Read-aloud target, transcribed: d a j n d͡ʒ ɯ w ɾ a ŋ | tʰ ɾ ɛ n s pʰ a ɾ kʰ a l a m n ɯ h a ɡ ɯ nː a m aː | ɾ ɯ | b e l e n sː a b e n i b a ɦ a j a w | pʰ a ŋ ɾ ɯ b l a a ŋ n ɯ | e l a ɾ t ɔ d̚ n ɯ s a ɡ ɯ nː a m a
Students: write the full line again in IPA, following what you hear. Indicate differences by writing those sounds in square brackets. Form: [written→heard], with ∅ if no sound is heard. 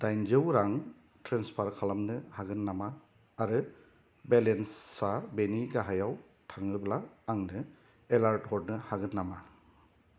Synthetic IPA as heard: d a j n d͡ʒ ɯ w ɾ a ŋ | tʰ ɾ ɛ n s pʰ a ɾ kʰ a l a m n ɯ h a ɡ ɯ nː a m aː | ɾ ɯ | b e l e n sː a b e n i [b→ɡ] a ɦ a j a w | [pʰ→tʰ] a ŋ ɾ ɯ b l a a ŋ n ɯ | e l a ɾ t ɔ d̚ n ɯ [s→h] a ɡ ɯ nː a m a